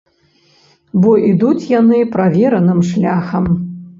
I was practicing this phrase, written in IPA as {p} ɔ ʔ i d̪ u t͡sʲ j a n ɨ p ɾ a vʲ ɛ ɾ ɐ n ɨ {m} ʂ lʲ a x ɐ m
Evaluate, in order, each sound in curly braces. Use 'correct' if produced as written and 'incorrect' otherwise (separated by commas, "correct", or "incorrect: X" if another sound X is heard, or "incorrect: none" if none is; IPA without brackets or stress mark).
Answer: incorrect: b, correct